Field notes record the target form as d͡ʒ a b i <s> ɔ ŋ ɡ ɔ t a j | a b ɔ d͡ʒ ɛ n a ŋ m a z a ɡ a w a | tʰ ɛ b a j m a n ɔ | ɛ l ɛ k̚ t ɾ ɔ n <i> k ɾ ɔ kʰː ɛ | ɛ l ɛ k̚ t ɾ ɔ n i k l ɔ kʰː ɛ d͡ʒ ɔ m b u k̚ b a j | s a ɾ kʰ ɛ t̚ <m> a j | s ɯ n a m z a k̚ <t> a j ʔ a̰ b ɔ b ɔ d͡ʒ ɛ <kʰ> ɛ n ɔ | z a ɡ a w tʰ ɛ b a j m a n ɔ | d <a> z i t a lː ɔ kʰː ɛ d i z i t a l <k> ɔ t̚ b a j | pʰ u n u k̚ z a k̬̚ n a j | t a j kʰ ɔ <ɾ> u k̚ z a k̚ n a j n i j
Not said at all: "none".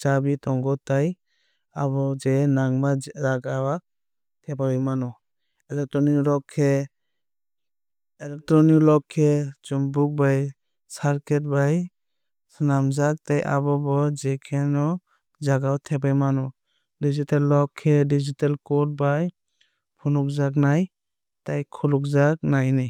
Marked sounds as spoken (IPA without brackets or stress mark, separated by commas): t, i, b, t, kʰ, i, k, l